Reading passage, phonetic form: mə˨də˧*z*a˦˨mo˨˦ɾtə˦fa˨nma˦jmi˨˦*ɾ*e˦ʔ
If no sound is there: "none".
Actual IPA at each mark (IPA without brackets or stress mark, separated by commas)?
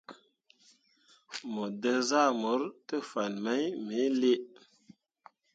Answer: z, l